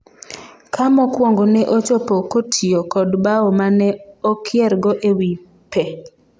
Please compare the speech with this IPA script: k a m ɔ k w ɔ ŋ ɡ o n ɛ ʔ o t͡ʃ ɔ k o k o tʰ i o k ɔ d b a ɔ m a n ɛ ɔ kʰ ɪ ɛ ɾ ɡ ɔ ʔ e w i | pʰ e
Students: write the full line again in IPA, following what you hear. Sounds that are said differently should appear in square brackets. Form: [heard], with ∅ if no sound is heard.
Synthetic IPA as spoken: k a m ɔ k w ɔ ŋ ɡ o n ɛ ʔ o t͡ʃ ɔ [p] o k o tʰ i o k ɔ d b a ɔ m a n ɛ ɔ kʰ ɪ ɛ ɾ ɡ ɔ ʔ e w i | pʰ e